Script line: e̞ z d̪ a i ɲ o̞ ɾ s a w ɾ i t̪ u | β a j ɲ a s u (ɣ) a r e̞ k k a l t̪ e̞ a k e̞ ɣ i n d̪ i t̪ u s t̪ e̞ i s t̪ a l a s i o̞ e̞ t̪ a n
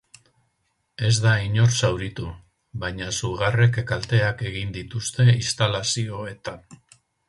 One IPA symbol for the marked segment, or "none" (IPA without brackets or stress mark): ɣ